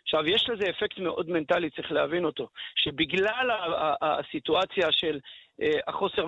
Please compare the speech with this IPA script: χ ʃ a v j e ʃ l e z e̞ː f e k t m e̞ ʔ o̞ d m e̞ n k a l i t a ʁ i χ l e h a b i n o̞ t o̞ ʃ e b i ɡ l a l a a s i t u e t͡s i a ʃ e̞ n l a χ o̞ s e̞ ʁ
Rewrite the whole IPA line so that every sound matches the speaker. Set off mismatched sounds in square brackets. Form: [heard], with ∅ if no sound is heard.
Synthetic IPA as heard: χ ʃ a v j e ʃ l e z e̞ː f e k t m e̞ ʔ o̞ d m e̞ n [t] a l i [t͡s] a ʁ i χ l e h a [v] i n o̞ t o̞ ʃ e b i ɡ l a l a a s i t u [a] t͡s [j] a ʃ e̞ [∅] l a χ o̞ s e̞ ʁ